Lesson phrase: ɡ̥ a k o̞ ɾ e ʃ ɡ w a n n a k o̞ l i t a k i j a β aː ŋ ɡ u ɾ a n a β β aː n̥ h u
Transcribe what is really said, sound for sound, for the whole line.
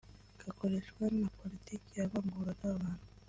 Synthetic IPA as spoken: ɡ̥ a k o̞ ɾ e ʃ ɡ w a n n a p o̞ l i t i k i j a β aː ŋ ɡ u ɾ a n a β β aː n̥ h u